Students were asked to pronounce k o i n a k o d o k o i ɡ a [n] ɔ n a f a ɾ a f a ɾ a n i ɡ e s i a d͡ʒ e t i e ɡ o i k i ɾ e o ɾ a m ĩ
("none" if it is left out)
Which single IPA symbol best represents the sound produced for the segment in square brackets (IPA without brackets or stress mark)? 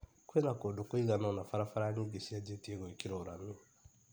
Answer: n